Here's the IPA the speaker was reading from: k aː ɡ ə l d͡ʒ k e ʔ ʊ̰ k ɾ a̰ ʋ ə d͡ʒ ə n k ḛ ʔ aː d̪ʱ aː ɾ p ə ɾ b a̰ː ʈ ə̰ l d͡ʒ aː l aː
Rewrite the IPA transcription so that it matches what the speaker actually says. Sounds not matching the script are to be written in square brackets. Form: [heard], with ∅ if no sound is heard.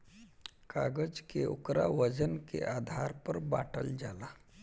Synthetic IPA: k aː ɡ ə [∅] d͡ʒ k e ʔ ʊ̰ k ɾ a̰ ʋ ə d͡ʒ ə n k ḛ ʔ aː d̪ʱ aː ɾ p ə ɾ b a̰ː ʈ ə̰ l d͡ʒ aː l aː